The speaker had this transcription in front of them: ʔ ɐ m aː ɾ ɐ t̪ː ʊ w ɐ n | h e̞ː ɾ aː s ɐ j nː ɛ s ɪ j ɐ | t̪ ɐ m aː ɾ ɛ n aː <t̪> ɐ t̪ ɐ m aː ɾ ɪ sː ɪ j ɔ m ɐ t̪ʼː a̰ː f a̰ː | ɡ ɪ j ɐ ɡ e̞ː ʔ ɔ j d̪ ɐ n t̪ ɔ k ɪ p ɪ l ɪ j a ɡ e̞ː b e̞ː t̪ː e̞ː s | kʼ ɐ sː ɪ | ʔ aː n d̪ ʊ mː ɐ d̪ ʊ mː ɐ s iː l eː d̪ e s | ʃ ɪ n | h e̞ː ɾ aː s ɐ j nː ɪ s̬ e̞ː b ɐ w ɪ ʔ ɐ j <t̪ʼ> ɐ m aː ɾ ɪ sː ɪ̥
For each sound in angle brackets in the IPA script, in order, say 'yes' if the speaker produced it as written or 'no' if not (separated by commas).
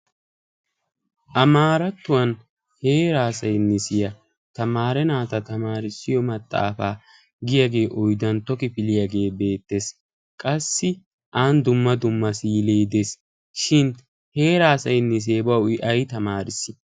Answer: yes, no